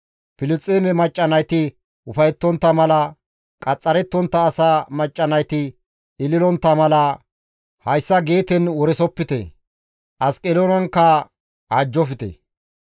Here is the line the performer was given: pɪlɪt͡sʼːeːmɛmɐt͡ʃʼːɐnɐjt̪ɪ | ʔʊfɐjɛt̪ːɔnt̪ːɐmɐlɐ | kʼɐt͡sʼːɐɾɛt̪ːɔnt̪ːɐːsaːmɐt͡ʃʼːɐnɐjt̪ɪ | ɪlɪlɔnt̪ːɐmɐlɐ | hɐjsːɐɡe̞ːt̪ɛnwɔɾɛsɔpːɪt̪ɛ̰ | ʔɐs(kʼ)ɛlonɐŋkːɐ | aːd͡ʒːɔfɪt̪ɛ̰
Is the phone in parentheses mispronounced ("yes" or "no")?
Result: no